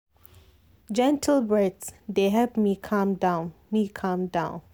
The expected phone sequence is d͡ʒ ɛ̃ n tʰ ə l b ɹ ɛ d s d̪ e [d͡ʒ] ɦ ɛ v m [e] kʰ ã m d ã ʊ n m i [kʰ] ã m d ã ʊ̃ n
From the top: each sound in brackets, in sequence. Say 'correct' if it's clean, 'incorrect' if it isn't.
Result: incorrect: none, incorrect: i, correct

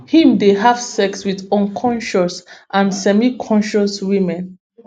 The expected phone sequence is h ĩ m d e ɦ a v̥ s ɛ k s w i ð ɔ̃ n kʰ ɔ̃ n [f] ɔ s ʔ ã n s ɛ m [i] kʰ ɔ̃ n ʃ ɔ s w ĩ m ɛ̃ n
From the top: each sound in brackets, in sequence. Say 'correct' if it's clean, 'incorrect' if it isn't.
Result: incorrect: ʃ, correct

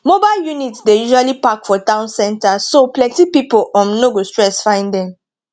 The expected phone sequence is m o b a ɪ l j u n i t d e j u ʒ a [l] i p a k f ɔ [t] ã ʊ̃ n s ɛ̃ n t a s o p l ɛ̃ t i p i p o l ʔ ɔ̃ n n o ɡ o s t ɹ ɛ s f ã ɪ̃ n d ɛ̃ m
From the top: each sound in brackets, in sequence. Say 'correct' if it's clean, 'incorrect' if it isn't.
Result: correct, correct

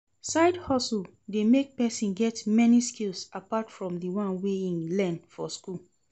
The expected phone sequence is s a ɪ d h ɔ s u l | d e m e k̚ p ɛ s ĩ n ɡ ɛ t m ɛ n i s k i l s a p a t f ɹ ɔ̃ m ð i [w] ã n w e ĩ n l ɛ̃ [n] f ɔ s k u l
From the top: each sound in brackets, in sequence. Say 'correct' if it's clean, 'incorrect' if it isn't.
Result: correct, correct

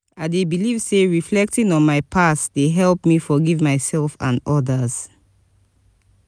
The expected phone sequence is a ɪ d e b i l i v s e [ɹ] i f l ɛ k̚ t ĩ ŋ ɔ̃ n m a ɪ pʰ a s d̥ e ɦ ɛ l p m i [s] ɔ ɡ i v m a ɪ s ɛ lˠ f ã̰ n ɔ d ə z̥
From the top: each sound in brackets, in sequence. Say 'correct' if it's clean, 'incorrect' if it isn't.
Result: correct, incorrect: f

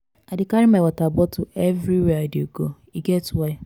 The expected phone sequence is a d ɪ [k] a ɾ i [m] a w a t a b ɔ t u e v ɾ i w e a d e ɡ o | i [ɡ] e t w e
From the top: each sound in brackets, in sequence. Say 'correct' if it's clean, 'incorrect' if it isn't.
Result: correct, correct, correct

